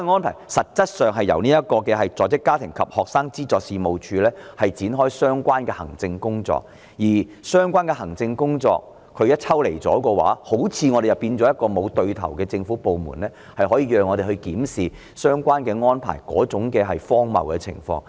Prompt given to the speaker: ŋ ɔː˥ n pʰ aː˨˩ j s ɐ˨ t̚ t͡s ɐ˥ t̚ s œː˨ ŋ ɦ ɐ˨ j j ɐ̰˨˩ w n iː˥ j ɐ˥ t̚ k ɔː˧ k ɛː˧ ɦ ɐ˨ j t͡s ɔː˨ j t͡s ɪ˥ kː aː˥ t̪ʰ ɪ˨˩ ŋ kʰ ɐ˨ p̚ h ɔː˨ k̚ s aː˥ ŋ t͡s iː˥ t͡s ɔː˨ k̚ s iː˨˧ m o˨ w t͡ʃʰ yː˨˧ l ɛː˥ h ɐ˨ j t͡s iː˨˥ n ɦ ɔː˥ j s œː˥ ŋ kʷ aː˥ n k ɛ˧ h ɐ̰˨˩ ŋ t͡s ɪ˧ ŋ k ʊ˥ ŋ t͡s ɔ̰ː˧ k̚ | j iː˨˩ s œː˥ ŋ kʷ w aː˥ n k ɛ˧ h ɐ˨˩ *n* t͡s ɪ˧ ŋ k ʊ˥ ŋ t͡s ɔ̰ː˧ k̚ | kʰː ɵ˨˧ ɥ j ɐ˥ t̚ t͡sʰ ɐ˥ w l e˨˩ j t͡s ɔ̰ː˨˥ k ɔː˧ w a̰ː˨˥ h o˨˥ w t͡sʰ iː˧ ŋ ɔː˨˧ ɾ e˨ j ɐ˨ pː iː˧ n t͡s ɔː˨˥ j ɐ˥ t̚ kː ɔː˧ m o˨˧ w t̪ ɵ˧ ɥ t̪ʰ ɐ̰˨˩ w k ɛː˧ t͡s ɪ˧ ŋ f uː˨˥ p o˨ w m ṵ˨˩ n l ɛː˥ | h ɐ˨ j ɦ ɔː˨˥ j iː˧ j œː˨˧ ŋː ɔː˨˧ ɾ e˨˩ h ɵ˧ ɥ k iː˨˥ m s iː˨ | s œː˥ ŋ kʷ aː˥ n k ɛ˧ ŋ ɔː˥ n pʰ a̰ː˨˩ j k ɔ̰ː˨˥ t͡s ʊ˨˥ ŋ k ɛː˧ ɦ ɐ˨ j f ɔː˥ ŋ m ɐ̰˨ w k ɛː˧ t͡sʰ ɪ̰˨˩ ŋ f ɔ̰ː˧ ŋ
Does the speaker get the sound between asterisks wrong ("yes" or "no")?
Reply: yes